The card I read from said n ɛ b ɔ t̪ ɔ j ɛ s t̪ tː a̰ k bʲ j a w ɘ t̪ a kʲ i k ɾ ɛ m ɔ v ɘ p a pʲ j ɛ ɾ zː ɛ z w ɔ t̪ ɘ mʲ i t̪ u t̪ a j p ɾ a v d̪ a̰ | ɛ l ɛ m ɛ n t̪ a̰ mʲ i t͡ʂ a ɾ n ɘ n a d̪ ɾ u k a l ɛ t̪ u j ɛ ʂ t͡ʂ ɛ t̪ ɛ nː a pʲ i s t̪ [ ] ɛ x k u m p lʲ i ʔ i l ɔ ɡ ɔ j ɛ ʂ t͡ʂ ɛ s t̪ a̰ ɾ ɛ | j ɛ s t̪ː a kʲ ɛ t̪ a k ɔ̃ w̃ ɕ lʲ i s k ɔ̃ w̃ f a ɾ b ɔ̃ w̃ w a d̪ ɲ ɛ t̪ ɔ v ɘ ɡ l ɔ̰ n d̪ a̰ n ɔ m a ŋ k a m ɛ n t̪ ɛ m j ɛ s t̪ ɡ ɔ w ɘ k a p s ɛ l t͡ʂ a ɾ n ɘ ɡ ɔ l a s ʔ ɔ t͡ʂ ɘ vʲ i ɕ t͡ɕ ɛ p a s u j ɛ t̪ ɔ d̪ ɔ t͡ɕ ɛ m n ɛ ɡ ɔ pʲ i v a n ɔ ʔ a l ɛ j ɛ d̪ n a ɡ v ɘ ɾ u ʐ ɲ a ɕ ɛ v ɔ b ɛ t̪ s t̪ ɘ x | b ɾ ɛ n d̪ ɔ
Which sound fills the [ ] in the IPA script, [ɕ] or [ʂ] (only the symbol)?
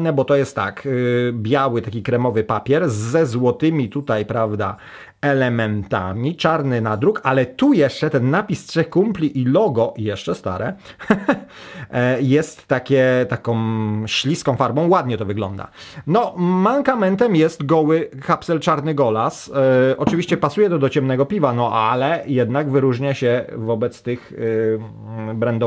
ʂ